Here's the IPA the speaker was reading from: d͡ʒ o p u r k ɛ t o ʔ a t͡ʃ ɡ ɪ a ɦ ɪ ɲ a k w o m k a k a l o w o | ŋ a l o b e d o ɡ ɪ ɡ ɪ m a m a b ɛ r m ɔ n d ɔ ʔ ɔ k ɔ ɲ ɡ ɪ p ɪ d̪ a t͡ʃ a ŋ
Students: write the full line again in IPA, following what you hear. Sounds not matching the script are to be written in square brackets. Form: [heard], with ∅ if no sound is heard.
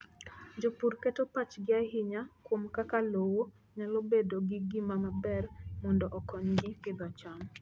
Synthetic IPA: d͡ʒ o p u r k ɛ t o [p] a t͡ʃ ɡ ɪ a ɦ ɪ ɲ a k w o m k a k a l o w o | [ɲ] a l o b e d o ɡ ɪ ɡ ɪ m a m a b ɛ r m ɔ n d ɔ ʔ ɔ k ɔ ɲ ɡ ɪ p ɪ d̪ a t͡ʃ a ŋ